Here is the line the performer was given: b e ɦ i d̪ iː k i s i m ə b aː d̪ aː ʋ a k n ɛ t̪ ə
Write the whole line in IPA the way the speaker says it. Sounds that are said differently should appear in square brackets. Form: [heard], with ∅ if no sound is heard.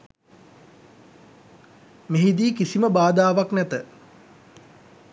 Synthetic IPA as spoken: [m] e ɦ i d̪ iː k i s i m ə b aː d̪ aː ʋ a k n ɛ t̪ ə